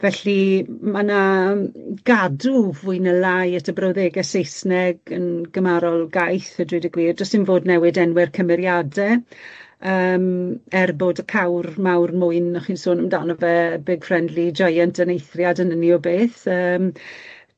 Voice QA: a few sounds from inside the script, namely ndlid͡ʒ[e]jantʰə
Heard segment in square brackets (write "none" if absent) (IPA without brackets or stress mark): a